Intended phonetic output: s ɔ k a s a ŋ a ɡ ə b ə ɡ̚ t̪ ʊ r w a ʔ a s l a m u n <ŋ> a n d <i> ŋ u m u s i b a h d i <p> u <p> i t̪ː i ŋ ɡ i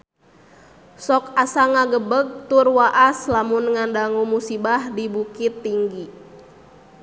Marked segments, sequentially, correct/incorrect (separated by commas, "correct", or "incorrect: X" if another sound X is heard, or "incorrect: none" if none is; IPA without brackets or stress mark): correct, incorrect: a, incorrect: b, incorrect: k